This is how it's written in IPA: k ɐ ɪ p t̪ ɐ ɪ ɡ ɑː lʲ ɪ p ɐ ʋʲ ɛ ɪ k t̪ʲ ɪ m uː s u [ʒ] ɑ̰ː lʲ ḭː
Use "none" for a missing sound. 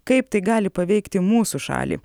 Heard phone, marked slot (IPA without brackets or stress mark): ʃ